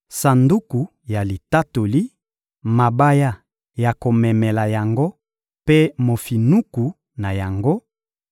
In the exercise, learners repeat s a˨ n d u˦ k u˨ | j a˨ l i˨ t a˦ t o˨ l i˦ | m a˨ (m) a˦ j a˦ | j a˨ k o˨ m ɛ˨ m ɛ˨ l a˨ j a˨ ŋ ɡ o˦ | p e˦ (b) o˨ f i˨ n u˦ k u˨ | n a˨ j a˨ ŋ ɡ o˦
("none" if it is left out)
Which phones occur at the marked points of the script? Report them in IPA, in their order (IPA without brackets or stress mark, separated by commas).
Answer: b, m